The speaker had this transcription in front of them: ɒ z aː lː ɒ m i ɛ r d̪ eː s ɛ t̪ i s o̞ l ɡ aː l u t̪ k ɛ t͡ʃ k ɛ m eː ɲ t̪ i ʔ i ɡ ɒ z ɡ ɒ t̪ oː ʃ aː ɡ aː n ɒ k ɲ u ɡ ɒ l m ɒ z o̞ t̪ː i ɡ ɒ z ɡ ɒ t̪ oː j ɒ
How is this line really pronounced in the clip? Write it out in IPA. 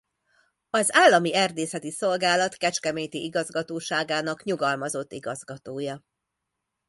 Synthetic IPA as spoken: ɒ z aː lː ɒ m i ɛ r d̪ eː s ɛ t̪ i s o̞ l ɡ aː l ɒ t̪ k ɛ t͡ʃ k ɛ m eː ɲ t̪ i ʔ i ɡ ɒ z ɡ ɒ t̪ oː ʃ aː ɡ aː n ɒ k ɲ u ɡ ɒ l m ɒ z o̞ t̪ː i ɡ ɒ z ɡ ɒ t̪ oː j ɒ